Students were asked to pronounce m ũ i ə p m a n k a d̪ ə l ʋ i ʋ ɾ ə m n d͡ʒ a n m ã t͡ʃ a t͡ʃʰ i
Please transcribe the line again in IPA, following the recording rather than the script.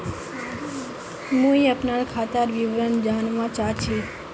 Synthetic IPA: m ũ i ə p n a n kʰ a t̪ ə ɾ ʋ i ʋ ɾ ə n d͡ʒ a n m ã t͡ʃ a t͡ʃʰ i